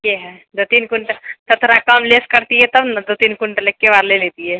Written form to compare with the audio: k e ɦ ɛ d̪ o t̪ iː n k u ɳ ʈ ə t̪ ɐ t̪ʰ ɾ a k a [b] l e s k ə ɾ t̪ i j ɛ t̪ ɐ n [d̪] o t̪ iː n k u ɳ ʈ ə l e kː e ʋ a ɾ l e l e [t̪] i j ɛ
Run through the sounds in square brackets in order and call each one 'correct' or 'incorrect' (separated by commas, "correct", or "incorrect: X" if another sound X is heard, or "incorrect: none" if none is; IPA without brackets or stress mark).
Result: incorrect: m, correct, correct